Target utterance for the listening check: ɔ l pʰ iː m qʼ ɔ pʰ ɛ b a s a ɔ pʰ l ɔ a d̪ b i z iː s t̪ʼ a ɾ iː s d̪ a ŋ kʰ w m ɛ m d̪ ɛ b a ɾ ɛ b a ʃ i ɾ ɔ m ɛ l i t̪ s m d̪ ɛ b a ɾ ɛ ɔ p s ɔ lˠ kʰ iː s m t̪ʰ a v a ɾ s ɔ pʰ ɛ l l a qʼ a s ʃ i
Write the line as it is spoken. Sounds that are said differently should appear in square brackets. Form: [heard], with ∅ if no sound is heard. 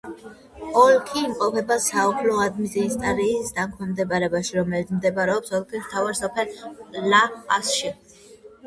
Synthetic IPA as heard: ɔ l [kʰ] iː m qʼ ɔ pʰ ɛ b a s a ɔ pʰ l ɔ a d̪ [m] i z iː s t̪ʼ a ɾ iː s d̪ a ŋ kʰ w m ɛ m d̪ ɛ b a ɾ ɛ b a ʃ i ɾ ɔ m ɛ l i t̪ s m d̪ ɛ b a ɾ ɛ ɔ p s ɔ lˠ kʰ [i] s m t̪ʰ a v a ɾ s ɔ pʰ ɛ l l a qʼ a s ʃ i